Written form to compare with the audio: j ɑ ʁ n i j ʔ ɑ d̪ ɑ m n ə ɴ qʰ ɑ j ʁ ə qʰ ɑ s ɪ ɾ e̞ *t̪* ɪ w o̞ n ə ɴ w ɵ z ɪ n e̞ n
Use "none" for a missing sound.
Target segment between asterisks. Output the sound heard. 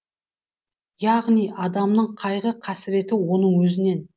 t̪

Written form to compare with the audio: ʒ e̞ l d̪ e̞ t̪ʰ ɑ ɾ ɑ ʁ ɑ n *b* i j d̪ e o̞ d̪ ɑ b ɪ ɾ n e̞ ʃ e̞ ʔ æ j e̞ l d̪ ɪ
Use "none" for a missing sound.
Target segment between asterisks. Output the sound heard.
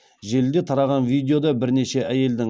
v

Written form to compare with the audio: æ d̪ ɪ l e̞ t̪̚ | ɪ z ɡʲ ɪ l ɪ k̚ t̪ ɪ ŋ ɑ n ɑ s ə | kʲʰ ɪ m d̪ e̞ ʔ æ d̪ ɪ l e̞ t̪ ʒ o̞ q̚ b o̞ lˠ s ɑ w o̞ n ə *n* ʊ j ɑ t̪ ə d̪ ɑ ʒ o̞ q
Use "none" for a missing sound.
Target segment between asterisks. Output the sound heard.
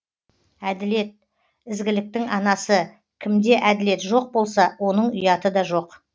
ɴ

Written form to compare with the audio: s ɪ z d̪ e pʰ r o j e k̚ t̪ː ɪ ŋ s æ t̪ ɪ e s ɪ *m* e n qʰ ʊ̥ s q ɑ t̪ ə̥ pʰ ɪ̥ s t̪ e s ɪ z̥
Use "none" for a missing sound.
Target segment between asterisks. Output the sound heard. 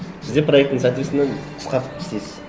n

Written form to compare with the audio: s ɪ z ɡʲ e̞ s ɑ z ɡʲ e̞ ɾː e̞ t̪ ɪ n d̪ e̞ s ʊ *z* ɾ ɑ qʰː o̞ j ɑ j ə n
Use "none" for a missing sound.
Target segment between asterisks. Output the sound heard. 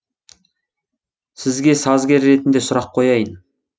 none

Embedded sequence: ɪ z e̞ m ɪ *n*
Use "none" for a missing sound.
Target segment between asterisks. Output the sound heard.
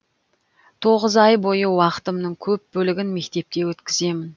n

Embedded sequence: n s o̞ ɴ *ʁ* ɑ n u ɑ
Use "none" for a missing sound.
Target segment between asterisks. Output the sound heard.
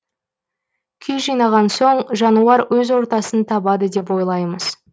ʒ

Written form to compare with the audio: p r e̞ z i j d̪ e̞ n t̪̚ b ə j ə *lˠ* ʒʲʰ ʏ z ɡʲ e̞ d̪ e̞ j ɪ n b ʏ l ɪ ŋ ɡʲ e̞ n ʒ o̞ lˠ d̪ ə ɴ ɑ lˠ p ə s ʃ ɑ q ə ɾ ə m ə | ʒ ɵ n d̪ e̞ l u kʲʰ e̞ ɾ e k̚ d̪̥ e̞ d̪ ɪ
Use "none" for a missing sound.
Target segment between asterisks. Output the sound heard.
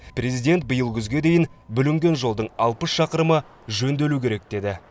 lˠ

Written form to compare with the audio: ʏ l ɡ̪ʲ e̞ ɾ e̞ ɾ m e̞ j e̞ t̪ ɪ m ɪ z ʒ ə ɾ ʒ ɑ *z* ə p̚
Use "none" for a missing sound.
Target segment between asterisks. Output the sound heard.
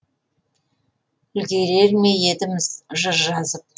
z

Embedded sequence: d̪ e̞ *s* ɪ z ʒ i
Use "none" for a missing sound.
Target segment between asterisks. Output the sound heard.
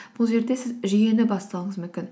s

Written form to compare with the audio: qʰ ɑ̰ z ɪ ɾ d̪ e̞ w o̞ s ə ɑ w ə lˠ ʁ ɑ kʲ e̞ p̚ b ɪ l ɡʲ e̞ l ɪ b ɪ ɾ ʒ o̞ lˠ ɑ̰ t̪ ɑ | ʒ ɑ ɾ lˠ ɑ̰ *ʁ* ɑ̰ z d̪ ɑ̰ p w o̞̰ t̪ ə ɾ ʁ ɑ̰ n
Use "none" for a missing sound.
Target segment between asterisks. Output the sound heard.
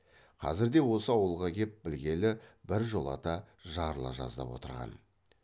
ʒ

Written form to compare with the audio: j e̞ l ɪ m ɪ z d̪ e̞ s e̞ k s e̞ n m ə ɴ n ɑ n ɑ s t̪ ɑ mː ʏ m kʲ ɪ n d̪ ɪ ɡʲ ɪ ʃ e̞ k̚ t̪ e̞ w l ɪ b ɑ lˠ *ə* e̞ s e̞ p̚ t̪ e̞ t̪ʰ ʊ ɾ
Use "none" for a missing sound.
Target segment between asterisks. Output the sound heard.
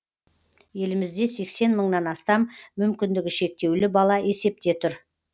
ɑ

